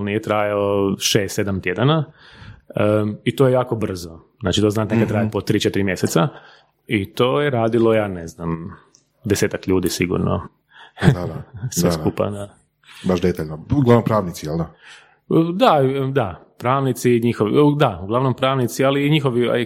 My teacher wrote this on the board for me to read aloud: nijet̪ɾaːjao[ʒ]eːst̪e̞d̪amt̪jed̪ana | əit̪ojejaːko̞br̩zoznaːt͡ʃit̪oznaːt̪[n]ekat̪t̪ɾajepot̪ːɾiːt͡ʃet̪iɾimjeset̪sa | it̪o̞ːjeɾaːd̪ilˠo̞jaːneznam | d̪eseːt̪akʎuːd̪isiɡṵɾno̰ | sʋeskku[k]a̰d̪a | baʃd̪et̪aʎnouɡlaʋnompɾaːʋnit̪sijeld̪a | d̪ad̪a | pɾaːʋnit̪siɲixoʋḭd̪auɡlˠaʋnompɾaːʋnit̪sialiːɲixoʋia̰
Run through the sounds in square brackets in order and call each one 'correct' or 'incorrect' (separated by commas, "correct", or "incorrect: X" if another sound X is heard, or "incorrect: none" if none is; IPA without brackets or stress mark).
incorrect: ʃ, correct, incorrect: p